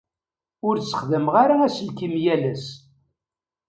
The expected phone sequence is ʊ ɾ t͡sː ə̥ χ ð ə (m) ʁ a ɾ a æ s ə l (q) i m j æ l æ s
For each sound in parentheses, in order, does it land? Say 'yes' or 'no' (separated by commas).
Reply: yes, no